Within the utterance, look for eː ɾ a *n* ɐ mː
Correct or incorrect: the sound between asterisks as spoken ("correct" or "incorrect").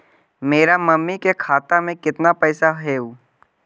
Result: incorrect